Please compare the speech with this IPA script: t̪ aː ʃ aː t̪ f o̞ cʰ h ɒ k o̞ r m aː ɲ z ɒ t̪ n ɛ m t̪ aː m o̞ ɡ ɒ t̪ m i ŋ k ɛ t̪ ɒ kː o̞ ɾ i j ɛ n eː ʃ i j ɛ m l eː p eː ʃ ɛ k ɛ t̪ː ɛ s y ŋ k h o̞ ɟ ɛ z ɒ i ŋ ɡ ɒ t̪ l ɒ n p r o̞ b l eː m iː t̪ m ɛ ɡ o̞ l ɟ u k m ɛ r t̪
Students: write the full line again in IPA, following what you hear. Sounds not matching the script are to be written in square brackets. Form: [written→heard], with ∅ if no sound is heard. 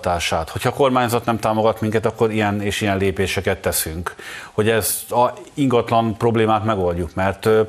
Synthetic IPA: t̪ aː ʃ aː t̪ [f→h] o̞ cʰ h ɒ k o̞ r m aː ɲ z ɒ t̪ n ɛ m t̪ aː m o̞ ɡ ɒ t̪ m i ŋ k ɛ t̪ ɒ kː o̞ ɾ i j ɛ n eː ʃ i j ɛ [m→n] l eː p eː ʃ ɛ k ɛ t̪ː ɛ s y ŋ k h o̞ ɟ ɛ z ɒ i ŋ ɡ ɒ t̪ l ɒ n p r o̞ b l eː m [iː→aː] t̪ m ɛ ɡ o̞ l ɟ u k m ɛ r t̪